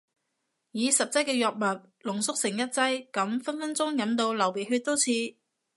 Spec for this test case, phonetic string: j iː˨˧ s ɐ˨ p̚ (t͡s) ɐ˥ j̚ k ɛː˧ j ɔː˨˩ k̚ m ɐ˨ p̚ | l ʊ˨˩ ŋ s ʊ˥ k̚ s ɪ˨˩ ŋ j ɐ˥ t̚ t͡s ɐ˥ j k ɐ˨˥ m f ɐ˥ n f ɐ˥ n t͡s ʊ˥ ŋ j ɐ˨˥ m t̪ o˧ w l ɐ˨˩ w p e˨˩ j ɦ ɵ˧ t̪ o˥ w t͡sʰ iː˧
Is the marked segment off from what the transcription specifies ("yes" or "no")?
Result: no